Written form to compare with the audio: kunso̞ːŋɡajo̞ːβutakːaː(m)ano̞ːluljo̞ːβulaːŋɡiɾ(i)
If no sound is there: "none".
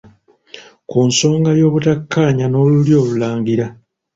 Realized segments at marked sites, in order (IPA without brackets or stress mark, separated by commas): ɲ, a